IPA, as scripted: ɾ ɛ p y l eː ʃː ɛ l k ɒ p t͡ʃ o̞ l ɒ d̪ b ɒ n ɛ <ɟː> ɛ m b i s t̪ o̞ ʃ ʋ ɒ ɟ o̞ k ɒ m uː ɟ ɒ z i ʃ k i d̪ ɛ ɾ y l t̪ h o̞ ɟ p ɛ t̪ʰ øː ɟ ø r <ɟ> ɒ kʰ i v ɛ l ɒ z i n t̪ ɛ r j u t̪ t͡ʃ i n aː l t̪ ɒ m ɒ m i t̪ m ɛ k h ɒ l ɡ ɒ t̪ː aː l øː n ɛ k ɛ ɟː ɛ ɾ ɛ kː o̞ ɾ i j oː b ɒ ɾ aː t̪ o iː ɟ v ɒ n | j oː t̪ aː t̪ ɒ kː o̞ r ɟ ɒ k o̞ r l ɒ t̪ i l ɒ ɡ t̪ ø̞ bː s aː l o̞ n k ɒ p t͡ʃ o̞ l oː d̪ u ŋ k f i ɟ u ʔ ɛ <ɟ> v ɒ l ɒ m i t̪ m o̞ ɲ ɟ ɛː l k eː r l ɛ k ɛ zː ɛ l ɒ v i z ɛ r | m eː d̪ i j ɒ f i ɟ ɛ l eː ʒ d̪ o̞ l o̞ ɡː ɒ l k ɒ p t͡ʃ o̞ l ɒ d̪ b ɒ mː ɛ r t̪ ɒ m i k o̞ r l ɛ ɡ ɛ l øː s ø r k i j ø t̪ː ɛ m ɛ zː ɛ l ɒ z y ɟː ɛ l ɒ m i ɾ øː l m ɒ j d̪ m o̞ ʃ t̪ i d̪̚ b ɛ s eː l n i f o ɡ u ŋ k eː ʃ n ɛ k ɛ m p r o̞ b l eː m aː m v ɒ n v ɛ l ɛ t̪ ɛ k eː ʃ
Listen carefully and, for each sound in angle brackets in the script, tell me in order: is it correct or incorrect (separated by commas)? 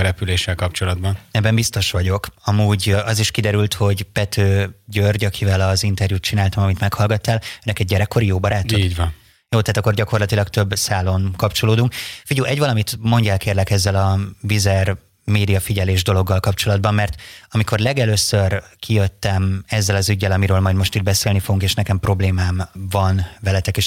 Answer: incorrect, correct, correct